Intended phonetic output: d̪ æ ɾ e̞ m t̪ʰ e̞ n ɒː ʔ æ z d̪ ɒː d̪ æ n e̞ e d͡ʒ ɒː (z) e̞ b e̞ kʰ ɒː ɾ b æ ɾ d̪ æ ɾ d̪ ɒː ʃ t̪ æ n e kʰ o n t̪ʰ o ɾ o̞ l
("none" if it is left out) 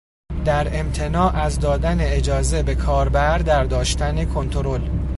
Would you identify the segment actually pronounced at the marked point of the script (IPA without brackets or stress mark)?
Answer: z